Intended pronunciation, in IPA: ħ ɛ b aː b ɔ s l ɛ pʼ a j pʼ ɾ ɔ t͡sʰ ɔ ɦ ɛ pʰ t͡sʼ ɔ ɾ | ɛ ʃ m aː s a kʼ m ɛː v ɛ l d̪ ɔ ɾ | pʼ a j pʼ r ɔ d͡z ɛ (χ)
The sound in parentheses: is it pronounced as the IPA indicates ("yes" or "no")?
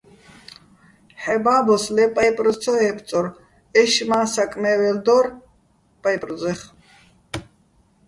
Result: yes